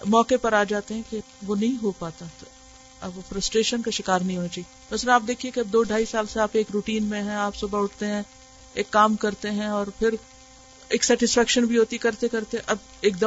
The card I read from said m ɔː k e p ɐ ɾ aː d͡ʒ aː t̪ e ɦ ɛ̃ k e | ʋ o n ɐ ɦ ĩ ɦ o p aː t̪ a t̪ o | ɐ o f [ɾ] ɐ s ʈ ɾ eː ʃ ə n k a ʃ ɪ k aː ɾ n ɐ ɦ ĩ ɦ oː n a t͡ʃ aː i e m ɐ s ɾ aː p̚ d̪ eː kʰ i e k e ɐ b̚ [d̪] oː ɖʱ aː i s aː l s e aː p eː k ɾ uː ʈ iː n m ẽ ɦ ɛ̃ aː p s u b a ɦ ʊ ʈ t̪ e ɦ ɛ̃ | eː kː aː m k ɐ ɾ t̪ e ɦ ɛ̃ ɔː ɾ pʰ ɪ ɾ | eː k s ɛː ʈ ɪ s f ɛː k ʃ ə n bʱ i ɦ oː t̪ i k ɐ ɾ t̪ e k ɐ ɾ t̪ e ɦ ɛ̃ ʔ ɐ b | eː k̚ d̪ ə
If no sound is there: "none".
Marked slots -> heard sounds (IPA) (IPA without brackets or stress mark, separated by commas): ɾ, d̪